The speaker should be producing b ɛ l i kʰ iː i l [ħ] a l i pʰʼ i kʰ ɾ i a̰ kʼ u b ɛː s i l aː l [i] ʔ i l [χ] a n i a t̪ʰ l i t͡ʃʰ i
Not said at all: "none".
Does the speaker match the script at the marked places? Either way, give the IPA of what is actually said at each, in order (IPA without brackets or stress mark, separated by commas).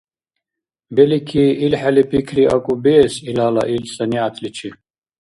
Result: ħ, a, s